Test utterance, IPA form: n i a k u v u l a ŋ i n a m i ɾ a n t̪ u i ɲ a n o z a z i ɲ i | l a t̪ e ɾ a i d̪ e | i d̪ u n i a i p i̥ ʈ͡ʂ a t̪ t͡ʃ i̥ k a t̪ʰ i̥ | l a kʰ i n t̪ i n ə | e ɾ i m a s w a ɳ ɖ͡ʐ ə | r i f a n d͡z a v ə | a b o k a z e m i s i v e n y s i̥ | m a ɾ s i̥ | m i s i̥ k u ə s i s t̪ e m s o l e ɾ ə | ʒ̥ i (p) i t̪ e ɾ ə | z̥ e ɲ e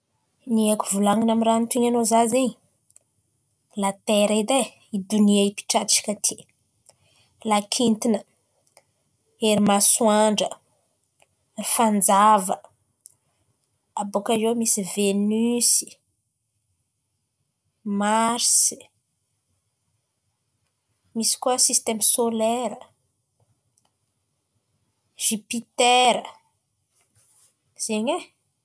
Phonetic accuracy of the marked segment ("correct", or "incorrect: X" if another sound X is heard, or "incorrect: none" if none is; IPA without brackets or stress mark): correct